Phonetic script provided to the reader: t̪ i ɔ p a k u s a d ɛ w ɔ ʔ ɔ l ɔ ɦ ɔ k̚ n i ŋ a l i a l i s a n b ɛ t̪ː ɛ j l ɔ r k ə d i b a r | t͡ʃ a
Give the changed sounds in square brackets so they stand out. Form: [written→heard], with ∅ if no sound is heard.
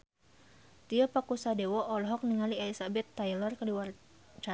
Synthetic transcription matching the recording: t̪ i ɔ p a k u s a d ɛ w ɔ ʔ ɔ l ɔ ɦ ɔ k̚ n i ŋ a l i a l i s a [n→∅] b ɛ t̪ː [ɛ→a] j l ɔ r k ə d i [b→w] a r | t͡ʃ a